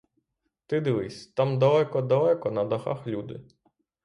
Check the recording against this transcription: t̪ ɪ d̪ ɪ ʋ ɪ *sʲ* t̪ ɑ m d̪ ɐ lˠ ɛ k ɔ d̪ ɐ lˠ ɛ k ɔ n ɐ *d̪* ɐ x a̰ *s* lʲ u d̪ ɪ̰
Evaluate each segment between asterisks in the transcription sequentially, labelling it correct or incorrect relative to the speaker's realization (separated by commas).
correct, correct, incorrect